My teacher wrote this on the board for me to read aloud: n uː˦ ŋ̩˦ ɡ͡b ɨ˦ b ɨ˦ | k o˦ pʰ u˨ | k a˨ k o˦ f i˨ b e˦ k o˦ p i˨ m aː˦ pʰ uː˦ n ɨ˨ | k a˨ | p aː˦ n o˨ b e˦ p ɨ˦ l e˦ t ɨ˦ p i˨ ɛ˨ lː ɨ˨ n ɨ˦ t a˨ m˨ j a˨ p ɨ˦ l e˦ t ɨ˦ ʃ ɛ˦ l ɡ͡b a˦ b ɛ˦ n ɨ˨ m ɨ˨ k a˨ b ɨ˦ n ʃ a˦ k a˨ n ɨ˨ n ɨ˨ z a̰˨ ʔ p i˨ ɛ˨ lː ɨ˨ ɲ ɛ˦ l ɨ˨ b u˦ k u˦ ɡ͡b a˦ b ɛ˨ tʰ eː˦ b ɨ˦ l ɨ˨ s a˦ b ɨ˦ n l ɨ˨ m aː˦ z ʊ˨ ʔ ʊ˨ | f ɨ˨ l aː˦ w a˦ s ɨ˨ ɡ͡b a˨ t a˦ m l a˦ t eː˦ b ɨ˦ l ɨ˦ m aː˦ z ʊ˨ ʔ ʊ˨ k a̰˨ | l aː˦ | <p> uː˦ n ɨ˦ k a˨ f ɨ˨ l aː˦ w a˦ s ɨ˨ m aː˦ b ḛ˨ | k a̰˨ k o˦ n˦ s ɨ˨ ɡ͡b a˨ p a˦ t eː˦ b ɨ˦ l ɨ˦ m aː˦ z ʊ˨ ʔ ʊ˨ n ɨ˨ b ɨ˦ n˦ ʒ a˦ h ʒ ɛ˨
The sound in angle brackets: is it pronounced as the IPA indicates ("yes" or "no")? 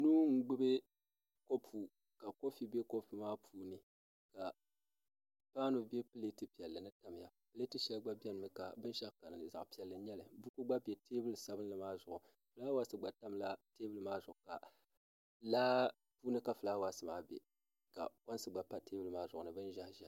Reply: yes